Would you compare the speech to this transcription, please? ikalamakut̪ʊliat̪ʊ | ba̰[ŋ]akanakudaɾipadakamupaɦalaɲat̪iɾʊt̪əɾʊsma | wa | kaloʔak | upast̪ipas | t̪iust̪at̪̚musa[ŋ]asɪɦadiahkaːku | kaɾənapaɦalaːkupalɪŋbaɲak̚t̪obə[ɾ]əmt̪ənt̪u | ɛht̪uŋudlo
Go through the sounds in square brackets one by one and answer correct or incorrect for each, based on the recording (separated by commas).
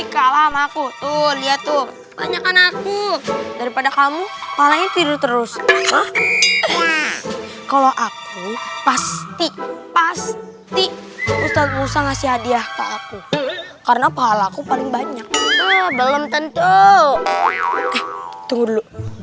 incorrect, correct, incorrect